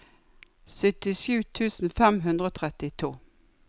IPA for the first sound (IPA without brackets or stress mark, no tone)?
s